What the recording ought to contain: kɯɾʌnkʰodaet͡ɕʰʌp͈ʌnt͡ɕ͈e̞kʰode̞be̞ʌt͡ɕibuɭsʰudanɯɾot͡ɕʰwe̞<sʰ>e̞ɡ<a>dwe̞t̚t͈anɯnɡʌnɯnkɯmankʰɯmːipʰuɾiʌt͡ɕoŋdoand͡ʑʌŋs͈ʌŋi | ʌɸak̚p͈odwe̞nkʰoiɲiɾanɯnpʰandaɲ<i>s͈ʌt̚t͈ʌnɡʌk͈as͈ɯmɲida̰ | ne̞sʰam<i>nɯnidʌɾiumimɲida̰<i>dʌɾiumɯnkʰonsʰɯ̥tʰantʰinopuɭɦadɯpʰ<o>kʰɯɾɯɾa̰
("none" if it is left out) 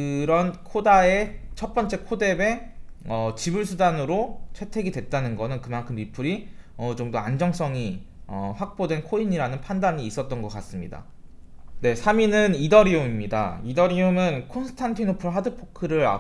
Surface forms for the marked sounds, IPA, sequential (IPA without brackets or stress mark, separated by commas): tʰ, i, iː, i, i, o